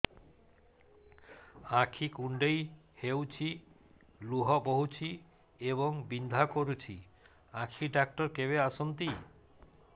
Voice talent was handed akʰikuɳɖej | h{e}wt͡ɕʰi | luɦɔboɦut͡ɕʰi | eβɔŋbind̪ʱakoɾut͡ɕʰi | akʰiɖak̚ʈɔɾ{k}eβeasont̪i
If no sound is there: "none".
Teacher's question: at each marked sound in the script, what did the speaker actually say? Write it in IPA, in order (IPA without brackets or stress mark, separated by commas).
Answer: e, k